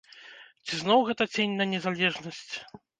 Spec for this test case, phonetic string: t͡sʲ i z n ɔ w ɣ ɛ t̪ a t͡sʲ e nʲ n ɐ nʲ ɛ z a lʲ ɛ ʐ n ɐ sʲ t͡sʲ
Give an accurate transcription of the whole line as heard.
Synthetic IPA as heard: t͡sʲ i z n ɔ w ɣ ɛ t̪ ɐ t͡sʲ e nʲ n ɐ nʲ ɛ z a lʲ ɛ ʐ n ɐ sʲ t͡sʲ